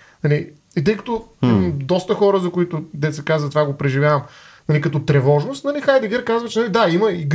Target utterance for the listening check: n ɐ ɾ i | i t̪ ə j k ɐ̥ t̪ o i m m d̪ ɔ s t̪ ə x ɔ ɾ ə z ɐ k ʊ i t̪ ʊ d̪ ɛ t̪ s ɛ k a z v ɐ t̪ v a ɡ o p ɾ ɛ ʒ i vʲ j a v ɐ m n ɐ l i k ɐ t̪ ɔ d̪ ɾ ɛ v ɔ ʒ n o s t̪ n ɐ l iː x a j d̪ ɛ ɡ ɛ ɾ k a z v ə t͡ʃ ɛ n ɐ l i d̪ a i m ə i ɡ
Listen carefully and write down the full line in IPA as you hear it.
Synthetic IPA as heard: n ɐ l i | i t̪ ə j k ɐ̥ t̪ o i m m d̪ ɔ s t̪ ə x ɔ ɾ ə z ɐ k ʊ i t̪ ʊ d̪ ɛ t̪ s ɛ k a z v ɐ t̪ v a ɡ o p ɾ ɛ ʒ i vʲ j a v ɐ m n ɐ l i k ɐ t̪ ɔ t̪ ɾ ɛ v ɔ ʒ n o s t̪ n ɐ l i x a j d̪ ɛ ɡ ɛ ɾ k a z v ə t͡ʃ ɛ n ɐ l i d̪ a i m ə i ɡ